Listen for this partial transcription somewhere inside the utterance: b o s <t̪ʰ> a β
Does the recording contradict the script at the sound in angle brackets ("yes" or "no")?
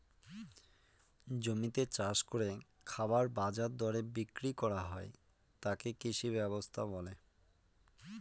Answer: no